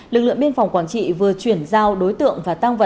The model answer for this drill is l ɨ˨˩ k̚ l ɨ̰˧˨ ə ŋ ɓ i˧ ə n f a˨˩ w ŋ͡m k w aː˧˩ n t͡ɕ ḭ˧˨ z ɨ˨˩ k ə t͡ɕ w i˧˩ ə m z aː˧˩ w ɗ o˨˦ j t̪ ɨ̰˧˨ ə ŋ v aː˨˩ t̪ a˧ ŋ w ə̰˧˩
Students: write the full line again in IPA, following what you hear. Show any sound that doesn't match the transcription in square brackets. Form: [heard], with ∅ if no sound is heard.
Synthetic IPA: l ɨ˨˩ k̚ l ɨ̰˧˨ ə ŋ ɓ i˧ ə n f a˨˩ w ŋ͡m k w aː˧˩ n t͡ɕ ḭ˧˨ [v] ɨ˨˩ [∅] ə t͡ɕ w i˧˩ ə [n] z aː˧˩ w ɗ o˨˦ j t̪ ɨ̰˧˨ ə ŋ v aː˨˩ t̪ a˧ ŋ [v] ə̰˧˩